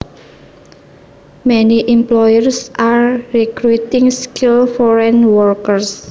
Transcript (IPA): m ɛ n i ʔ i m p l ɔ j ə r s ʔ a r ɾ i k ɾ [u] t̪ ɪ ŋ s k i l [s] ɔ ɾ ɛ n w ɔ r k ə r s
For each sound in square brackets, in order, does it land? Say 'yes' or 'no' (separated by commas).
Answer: yes, no